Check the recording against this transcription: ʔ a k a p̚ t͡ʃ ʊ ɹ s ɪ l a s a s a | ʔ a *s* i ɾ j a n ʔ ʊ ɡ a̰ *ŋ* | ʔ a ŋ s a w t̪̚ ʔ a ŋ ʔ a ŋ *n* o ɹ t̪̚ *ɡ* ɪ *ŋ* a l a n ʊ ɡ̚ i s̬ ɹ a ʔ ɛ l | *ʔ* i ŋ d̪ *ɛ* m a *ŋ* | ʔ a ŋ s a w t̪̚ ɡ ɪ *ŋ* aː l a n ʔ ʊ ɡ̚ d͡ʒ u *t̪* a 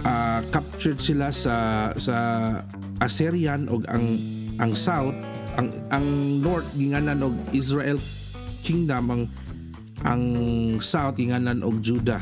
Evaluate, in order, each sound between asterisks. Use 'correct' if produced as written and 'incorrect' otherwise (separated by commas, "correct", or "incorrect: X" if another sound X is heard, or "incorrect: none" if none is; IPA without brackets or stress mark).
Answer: correct, correct, correct, correct, correct, incorrect: k, incorrect: a, correct, correct, incorrect: d̪